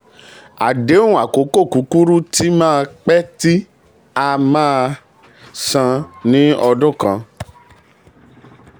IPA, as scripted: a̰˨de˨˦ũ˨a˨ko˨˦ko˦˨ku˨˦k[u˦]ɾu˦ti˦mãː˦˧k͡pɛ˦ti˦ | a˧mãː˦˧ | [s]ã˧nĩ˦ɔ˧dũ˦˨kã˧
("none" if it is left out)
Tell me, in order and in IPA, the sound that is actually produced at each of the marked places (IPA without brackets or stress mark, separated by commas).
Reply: u˦, s